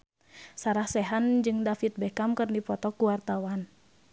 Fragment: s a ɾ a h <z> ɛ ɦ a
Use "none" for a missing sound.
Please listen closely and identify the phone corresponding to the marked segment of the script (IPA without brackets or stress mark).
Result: s